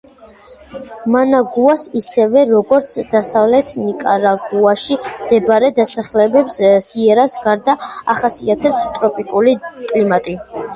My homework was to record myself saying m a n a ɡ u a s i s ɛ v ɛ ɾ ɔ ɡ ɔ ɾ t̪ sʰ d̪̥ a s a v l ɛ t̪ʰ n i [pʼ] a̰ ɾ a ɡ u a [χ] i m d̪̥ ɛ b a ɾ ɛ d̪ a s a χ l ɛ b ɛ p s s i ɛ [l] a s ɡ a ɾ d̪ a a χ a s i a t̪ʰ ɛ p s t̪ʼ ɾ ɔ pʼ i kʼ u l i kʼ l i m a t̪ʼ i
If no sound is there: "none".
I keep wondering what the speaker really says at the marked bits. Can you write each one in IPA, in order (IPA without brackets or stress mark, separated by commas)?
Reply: kʼ, ʃ, ɾ